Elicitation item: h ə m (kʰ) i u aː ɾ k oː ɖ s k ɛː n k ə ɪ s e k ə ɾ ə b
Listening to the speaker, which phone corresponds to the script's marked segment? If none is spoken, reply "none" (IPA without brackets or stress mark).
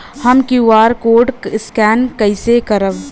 k